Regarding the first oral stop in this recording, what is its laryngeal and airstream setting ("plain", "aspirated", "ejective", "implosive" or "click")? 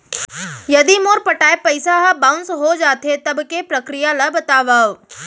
plain